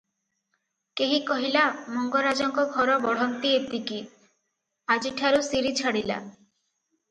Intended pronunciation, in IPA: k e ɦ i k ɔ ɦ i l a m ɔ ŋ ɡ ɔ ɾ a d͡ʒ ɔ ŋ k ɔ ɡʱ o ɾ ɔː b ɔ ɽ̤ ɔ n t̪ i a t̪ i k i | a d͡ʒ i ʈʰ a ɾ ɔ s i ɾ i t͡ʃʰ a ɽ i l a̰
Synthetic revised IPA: k e ɦ i k ɔ ɦ i l a m ɔ ŋ ɡ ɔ ɾ a d͡ʒ ɔ ŋ k ɔ ɡʱ ɔ ɾ ɔ b ɔ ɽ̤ ɔ n t̪ i e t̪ i k i | a d͡ʒ i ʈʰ a ɾ u s i ɾ i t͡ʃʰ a ɽ i l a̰